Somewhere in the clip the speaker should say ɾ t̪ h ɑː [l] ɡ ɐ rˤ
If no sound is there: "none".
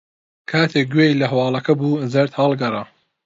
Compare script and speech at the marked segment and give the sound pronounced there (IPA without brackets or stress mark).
l